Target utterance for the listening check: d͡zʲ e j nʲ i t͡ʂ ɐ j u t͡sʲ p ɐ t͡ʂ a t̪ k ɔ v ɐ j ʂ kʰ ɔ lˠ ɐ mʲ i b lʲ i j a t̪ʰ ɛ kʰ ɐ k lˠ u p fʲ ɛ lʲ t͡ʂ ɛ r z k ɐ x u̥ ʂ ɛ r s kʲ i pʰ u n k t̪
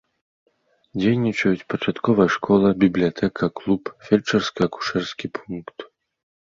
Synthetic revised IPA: d͡zʲ e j nʲ i t͡ʂ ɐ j u t͡sʲ p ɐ t͡ʂ a t̪ k ɔ v ɐ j ʂ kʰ ɔ lˠ ɐ bʲ i b lʲ i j a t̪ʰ ɛ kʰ ɐ k lˠ u p fʲ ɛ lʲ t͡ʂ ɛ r s k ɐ k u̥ ʂ ɛ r s kʲ i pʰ u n k t̪